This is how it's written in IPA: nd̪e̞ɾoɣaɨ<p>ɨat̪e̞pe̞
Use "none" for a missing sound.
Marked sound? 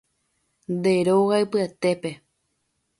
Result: p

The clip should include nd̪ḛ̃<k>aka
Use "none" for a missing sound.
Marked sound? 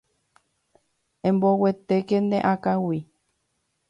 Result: ʔ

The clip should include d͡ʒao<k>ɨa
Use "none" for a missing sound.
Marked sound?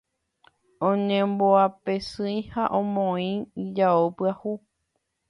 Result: p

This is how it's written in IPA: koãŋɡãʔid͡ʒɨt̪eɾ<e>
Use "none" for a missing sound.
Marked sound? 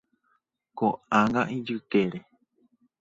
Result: e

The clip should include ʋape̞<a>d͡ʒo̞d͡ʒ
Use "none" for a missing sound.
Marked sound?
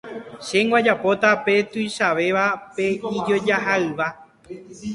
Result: i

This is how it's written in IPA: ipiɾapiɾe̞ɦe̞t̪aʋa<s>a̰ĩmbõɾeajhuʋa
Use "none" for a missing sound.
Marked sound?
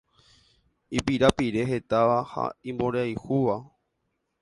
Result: h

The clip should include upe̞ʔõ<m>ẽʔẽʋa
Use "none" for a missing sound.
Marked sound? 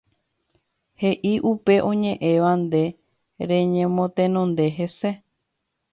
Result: ɲ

